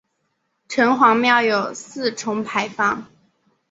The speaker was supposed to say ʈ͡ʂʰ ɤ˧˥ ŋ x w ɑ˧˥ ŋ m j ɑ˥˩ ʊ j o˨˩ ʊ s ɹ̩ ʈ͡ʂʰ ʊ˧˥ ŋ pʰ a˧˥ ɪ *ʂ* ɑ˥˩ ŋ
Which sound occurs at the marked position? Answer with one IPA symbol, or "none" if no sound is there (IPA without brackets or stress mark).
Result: f